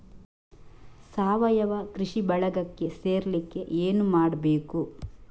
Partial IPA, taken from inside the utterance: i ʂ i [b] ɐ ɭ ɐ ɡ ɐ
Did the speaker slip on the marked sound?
no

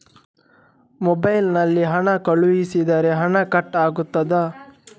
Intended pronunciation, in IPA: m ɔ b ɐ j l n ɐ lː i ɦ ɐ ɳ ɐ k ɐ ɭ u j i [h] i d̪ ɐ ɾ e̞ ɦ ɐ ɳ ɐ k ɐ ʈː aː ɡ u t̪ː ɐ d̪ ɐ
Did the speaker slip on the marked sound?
yes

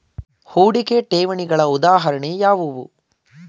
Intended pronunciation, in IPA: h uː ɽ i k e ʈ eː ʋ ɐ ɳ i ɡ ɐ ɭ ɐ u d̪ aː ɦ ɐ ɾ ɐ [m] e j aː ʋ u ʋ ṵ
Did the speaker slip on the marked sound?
yes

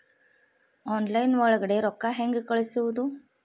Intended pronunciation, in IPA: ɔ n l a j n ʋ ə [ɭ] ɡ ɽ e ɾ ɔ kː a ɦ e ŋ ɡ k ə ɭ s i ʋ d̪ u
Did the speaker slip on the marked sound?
no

